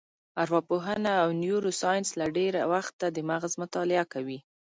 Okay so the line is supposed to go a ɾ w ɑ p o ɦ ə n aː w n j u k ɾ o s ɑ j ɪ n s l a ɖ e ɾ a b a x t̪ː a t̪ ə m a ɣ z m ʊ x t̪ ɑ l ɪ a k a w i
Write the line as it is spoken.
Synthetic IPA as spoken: a ɾ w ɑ p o ɦ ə n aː w n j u ɾ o s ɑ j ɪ n s l a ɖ e ɾ a w a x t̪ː a d̪ ə m a ɣ z m ʊ t̪ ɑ l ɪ a k a w i